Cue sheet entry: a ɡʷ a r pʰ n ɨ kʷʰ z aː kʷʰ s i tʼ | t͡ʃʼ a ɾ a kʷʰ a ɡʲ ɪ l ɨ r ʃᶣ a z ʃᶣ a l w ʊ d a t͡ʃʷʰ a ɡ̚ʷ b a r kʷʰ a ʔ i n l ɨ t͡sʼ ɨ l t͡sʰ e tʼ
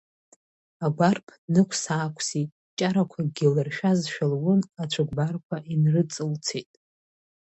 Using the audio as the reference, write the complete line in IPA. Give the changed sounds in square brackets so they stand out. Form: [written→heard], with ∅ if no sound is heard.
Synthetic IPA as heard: a ɡʷ a r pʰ n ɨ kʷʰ [z→s] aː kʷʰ s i tʼ | t͡ʃʼ a ɾ a kʷʰ a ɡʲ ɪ l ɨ r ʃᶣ a z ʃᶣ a l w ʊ [d→n] a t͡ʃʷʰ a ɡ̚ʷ b a r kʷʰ a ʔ i n [l→r] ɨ t͡sʼ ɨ l t͡sʰ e tʼ